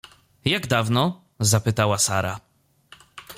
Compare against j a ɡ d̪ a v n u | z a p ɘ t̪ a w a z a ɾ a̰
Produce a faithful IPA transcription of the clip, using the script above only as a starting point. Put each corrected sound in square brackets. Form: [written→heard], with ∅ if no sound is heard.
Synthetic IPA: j a ɡ d̪ a v n [u→ɔ] | z a p ɘ t̪ a w a [z→s] a ɾ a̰